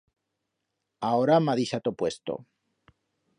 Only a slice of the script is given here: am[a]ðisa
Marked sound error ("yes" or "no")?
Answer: no